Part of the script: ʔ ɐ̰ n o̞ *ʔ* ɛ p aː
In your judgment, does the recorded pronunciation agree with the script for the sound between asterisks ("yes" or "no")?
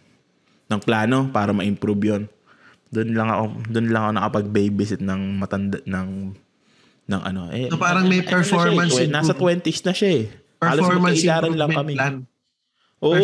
yes